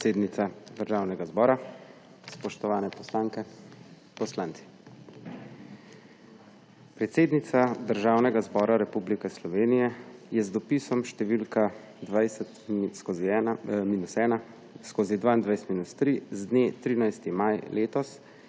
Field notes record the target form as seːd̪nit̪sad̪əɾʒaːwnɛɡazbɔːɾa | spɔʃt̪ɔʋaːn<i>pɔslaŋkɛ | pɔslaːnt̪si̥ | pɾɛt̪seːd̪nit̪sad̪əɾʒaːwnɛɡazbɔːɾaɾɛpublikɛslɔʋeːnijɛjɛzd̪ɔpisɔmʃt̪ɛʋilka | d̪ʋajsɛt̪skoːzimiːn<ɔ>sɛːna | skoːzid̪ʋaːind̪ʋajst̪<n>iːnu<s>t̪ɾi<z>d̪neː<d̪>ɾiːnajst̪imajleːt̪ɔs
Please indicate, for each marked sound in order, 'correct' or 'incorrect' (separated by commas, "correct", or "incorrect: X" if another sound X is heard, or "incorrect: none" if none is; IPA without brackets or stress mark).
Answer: incorrect: ɛ, incorrect: u, incorrect: m, correct, correct, incorrect: t̪